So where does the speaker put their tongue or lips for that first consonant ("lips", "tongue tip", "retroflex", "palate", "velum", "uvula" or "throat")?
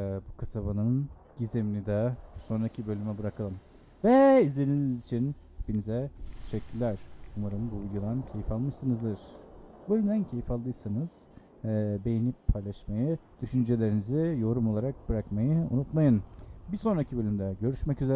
lips